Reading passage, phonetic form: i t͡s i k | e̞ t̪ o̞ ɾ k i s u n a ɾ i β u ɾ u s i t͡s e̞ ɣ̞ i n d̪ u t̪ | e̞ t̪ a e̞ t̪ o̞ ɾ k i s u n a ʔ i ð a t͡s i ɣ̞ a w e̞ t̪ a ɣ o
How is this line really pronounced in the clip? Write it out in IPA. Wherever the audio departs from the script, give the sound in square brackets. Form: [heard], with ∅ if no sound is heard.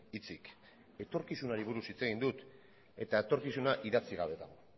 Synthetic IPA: i t͡s i k | e̞ t̪ o̞ ɾ k i s u n a ɾ i β u ɾ u s i t͡s e̞ ɣ̞ i n d̪ u t̪ | e̞ t̪ a e̞ t̪ o̞ ɾ k i s u n a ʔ i ð a t͡s i ɣ̞ a [β] e̞ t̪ a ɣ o